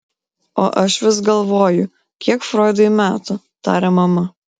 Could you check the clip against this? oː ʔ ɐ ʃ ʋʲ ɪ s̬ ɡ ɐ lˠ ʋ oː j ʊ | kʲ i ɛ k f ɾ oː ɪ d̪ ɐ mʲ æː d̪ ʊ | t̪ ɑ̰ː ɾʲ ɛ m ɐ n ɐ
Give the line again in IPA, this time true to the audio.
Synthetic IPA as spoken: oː ʔ ɐ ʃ ʋʲ ɪ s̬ ɡ ɐ lˠ ʋ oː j ʊ | kʲ i ɛ k f ɾ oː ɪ d̪ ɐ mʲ æː t̪ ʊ | t̪ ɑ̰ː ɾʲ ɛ m ɐ m ɐ